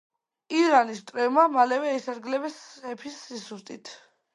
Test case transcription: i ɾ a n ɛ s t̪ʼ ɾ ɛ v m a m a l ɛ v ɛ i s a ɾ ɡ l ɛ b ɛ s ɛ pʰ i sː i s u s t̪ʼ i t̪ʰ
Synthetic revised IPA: i ɾ a n i s t̪ʼ ɾ ɛ v m a m a l ɛ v ɛ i s a ɾ ɡ l ɛ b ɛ s ɛ pʰ i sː i s u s t̪ʼ i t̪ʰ